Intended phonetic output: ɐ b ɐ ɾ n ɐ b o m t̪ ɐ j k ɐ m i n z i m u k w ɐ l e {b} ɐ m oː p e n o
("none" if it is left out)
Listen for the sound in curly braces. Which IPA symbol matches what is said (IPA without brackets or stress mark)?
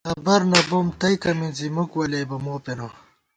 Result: b